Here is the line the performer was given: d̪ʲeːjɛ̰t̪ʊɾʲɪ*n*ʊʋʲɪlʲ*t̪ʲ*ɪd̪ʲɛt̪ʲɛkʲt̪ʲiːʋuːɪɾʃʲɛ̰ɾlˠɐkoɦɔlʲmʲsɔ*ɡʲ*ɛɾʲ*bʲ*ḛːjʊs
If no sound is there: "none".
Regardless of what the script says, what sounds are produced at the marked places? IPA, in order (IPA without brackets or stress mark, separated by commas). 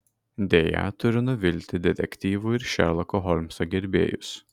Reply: n, t̪ʲ, ɡʲ, bʲ